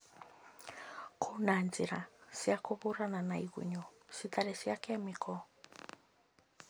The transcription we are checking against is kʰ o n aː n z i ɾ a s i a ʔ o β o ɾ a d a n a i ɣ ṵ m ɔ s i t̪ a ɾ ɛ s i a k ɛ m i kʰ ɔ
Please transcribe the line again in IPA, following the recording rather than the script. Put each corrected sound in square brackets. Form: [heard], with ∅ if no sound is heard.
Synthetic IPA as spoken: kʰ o n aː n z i ɾ a s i a [k] o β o ɾ a [n] a n a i ɣ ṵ [ɲ] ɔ s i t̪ a ɾ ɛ s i a k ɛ m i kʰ ɔ